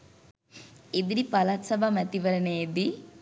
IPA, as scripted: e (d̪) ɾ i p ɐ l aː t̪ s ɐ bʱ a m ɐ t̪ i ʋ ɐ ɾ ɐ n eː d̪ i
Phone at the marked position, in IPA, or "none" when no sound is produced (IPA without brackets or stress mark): d̪